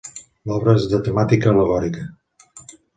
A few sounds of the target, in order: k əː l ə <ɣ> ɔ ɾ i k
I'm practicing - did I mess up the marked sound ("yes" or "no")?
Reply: no